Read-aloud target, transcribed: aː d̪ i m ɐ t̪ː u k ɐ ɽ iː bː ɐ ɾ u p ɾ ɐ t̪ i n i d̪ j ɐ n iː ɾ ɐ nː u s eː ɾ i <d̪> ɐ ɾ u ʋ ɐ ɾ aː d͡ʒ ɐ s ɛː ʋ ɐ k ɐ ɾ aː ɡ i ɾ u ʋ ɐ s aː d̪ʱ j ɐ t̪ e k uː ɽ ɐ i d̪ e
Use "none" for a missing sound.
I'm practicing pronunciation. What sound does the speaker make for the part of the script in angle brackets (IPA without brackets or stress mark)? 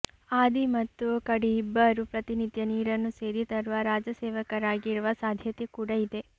t̪